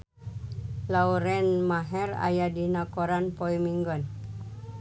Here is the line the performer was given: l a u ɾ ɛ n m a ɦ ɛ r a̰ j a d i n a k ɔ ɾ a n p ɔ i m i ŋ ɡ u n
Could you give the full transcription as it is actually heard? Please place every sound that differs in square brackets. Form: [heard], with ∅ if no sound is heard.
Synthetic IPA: l a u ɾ ɛ n m a ɦ ɛ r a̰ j a d i n a k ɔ ɾ a n p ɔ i m i ŋ ɡ [ɔ] n